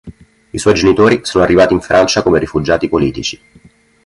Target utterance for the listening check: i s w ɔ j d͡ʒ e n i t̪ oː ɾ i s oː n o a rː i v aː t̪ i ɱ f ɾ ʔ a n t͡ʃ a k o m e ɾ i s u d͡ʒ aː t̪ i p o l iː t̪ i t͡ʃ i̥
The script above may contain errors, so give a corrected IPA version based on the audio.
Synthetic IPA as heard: i s w ɔ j d͡ʒ e n i t̪ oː ɾ i s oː n o a rː i v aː t̪ i ɱ f ɾ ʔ a n t͡ʃ a k o m e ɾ i f u d͡ʒ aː t̪ i p o l iː t̪ i t͡ʃ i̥